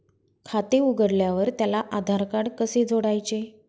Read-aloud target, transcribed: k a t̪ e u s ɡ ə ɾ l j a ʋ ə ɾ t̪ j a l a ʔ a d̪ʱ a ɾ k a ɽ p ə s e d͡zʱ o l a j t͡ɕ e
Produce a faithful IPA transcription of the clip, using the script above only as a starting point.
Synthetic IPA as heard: kʰ a t̪ e u ɡ ə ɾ l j a ʋ ə ɾ t̪ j a l a ʔ a d̪ʱ a ɾ k a ɽ k ə s e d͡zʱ o ɽ a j t͡ɕ e